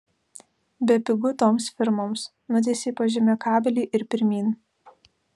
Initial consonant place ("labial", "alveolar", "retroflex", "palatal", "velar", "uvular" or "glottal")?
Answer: labial